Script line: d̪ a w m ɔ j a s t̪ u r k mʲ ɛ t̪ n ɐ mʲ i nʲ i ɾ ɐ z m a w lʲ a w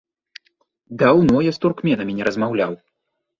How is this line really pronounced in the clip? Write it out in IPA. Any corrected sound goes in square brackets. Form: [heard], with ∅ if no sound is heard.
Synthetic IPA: d̪ a w [n] ɔ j a s t̪ u r k mʲ ɛ [∅] n ɐ mʲ i nʲ [ɛ] ɾ ɐ z m a w lʲ a w